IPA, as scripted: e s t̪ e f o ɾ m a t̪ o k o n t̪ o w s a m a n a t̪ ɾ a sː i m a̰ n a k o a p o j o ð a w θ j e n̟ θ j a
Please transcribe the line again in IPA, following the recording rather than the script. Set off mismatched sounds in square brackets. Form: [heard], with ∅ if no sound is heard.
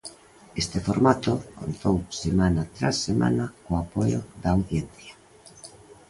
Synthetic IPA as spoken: e s t̪ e f o ɾ m a t̪ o k o n t̪ o w s [e] m a n a t̪ ɾ a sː [e] m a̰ n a k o a p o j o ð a w θ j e n̟ θ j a